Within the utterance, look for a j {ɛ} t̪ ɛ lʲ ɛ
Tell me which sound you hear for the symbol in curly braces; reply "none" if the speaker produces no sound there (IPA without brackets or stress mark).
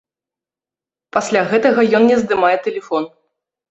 ɛ